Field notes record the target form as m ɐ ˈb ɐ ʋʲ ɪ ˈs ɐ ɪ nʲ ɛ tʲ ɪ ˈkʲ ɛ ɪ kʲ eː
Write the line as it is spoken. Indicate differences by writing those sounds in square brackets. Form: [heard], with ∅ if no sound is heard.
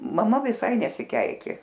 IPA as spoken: m ɐ [ˈm] ɐ ʋʲ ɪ ˈs ɐ ɪ nʲ ɛ [sʲ] ɪ ˈkʲ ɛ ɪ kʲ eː